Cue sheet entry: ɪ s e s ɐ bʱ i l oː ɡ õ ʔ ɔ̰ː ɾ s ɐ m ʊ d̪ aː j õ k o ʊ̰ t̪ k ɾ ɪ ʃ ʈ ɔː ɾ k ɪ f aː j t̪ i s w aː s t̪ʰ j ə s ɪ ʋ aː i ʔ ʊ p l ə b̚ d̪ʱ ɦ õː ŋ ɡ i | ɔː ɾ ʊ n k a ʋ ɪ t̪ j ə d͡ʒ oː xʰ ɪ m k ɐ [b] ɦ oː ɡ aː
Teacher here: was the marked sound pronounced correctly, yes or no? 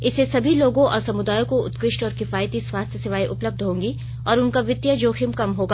no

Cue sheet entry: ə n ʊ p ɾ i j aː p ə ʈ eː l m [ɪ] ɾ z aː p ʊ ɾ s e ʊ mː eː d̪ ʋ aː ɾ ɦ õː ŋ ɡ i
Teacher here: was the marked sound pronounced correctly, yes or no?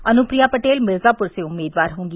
yes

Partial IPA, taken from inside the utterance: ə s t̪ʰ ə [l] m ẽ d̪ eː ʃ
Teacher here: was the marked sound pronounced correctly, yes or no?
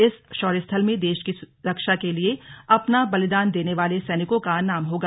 yes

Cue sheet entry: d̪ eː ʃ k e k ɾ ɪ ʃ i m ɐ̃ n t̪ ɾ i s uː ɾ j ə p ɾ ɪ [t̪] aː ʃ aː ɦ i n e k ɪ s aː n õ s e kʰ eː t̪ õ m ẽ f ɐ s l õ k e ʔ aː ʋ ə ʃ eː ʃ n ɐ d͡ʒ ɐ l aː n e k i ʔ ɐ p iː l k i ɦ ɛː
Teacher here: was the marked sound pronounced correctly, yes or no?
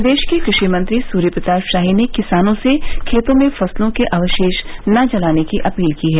yes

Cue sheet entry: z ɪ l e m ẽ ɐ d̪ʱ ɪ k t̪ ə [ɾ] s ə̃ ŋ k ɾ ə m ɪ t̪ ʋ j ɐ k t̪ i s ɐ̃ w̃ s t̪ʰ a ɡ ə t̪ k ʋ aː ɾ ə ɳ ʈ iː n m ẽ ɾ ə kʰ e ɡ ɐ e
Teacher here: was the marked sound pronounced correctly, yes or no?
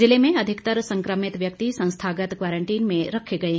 yes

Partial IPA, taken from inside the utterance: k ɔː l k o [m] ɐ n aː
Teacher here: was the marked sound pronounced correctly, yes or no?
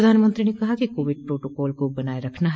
no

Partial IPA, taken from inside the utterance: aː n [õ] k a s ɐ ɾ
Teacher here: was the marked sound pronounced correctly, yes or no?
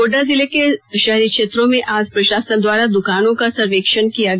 yes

